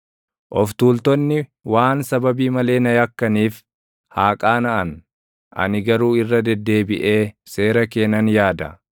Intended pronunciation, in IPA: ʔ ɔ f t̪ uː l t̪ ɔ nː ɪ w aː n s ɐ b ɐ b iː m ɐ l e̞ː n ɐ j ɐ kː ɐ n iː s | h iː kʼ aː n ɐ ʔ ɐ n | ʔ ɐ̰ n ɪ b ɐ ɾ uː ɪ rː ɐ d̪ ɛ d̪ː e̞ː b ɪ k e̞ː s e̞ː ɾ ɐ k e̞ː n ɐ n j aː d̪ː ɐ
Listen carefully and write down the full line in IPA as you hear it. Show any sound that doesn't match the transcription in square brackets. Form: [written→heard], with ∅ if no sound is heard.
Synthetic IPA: ʔ ɔ f t̪ uː l t̪ ɔ nː ɪ w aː n s ɐ b ɐ b iː m ɐ l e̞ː n ɐ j ɐ kː ɐ n iː [s→f] | h [iː→aː] kʼ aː n ɐ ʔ ɐ n | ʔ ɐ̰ n ɪ [b→ɡ] ɐ ɾ uː ɪ rː ɐ d̪ ɛ d̪ː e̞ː b ɪ [k→ʔ] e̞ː s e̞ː ɾ ɐ k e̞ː n ɐ n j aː [d̪ː→d̪] ɐ

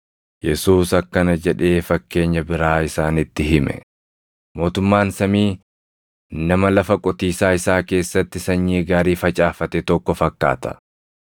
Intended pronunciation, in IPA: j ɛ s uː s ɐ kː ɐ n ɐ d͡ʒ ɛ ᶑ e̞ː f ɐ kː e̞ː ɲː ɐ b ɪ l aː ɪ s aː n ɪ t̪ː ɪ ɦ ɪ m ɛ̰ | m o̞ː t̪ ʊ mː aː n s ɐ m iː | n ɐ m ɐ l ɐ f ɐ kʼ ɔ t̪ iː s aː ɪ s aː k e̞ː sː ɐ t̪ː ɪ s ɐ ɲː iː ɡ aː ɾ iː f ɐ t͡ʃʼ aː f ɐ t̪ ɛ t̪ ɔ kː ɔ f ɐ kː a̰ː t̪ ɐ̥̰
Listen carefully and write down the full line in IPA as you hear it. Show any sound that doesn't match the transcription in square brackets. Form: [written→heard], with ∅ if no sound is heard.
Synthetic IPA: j ɛ s uː s ɐ kː ɐ n ɐ d͡ʒ ɛ ᶑ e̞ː f ɐ kː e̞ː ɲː ɐ b ɪ [l→ɾ] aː ɪ s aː n ɪ t̪ː ɪ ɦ ɪ m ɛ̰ | m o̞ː t̪ ʊ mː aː n s ɐ m iː | n ɐ m ɐ l ɐ f ɐ kʼ ɔ t̪ iː s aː ɪ s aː k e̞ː sː ɐ t̪ː ɪ s ɐ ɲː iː ɡ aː ɾ iː f ɐ t͡ʃʼ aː f ɐ t̪ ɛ t̪ ɔ kː ɔ f ɐ kː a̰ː t̪ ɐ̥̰

